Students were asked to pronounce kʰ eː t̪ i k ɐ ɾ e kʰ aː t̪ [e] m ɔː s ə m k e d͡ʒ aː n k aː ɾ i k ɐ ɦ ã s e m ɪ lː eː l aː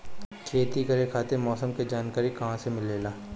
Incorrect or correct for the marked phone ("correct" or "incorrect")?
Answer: correct